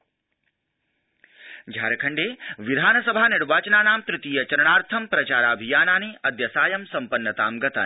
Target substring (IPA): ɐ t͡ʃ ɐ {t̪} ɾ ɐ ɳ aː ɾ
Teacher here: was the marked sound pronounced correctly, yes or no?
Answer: no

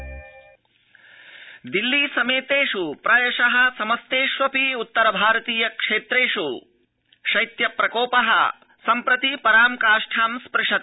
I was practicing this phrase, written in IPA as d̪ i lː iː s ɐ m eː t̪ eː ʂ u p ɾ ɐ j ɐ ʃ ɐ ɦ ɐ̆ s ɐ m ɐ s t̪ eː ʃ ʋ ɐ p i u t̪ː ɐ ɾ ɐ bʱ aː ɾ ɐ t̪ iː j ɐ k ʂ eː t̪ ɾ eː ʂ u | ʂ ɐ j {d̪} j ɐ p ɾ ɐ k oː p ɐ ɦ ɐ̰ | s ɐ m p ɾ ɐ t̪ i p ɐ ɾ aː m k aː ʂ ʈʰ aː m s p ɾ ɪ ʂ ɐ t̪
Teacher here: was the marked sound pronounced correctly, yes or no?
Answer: no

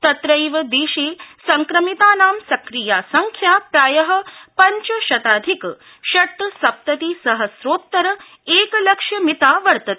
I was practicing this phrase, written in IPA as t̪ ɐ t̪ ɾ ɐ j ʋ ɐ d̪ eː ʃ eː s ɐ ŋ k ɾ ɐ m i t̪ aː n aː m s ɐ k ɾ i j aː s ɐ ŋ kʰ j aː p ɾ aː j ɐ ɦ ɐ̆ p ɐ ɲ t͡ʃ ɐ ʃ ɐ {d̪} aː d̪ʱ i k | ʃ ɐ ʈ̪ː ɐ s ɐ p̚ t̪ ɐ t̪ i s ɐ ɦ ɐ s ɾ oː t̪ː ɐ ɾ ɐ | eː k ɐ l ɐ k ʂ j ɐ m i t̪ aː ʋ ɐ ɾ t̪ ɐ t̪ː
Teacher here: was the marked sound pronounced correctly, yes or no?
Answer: no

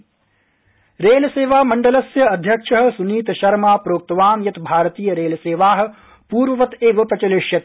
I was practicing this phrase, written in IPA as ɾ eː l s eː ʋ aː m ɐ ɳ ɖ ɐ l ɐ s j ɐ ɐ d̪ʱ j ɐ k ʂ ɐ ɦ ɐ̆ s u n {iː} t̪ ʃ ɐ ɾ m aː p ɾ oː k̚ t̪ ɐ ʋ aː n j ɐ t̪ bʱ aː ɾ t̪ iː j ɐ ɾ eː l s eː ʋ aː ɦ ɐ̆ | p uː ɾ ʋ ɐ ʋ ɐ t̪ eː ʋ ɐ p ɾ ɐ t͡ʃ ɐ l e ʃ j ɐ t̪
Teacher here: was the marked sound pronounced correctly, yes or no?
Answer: yes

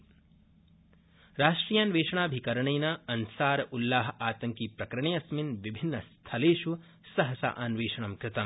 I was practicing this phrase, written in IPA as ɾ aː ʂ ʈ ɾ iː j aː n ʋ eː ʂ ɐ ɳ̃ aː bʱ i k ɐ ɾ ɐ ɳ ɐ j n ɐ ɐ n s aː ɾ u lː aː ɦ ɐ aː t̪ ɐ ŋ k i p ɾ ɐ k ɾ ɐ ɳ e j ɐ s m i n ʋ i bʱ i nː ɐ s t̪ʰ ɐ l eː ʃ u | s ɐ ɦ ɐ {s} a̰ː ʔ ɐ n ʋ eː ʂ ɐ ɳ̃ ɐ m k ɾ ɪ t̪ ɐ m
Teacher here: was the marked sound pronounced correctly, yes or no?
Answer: yes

